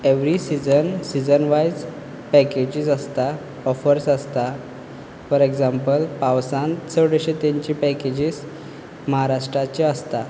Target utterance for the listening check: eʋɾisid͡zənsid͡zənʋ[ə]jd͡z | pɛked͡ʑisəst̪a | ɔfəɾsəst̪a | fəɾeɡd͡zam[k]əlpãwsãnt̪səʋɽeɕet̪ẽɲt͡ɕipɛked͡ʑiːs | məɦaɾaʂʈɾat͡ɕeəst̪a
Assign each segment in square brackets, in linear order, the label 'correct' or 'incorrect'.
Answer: incorrect: a, incorrect: p

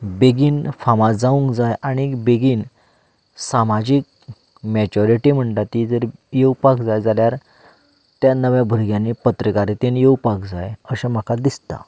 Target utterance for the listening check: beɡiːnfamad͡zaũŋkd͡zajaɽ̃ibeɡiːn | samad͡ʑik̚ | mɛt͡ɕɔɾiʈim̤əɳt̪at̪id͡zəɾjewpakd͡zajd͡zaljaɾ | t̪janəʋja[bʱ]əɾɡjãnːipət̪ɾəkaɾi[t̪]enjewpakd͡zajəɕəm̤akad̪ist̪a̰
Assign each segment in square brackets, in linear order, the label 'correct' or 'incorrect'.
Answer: correct, correct

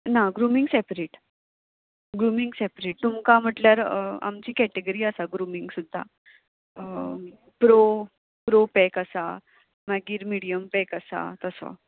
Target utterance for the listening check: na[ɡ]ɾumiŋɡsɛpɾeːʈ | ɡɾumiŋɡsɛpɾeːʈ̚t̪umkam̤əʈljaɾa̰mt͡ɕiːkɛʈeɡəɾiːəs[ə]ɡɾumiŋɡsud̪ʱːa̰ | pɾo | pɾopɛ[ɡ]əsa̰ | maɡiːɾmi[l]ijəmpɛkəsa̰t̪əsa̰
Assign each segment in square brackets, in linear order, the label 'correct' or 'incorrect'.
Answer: correct, incorrect: a, incorrect: k, incorrect: ɽ

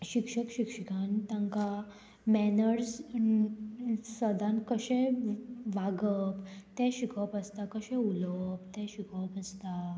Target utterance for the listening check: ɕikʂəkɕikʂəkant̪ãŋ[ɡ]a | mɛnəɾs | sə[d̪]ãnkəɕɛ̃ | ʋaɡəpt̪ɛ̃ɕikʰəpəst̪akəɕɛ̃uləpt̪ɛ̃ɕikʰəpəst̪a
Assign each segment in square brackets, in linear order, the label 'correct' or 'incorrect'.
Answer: incorrect: k, correct

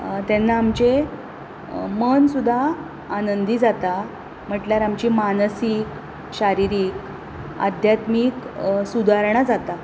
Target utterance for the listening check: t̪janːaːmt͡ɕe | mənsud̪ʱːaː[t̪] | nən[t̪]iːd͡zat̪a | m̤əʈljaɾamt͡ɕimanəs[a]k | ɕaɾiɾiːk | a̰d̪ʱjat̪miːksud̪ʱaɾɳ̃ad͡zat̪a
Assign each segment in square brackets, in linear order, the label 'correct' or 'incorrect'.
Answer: incorrect: none, incorrect: d̪, incorrect: i

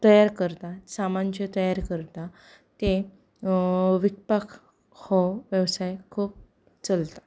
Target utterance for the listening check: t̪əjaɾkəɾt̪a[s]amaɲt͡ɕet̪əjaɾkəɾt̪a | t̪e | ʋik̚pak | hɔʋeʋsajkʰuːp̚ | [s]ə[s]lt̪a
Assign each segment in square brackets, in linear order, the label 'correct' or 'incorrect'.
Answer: correct, incorrect: t͡s, incorrect: none

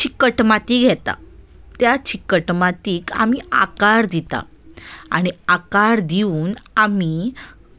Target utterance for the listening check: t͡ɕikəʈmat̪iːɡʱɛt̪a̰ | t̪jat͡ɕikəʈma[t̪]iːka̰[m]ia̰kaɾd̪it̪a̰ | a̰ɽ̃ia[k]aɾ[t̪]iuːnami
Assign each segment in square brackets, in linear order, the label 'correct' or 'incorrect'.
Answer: correct, correct, correct, incorrect: d̪

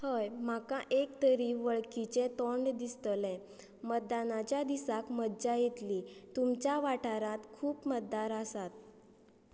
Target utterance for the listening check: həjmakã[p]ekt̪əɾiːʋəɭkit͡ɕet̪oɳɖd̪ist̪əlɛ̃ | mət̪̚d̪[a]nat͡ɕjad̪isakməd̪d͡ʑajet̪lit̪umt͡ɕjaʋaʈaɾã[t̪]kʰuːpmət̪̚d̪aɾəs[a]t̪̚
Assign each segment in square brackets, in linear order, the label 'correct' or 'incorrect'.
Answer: incorrect: ʔ, correct, correct, correct

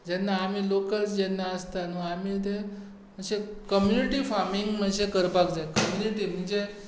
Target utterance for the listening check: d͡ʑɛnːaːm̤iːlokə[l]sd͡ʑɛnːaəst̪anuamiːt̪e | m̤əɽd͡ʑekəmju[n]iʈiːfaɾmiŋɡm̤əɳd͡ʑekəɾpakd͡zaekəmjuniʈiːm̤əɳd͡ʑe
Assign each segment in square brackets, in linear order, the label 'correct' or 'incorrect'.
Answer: correct, correct

